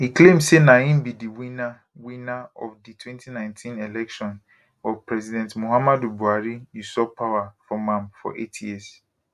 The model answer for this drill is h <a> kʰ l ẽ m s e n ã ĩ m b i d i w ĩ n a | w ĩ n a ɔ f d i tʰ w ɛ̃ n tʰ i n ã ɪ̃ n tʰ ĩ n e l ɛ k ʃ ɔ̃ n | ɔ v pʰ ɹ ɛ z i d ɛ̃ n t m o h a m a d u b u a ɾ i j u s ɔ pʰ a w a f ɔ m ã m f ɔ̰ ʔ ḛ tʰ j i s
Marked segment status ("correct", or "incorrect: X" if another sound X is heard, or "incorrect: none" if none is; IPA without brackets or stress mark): incorrect: i